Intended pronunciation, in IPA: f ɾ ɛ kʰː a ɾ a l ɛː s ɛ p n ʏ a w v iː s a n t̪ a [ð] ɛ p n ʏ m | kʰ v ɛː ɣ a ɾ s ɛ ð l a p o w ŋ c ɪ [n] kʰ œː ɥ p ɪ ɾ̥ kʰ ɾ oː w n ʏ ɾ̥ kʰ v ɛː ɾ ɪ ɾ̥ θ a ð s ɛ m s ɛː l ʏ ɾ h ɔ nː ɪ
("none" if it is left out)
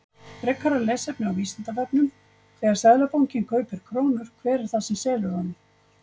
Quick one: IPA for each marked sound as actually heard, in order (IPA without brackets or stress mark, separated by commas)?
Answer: v, n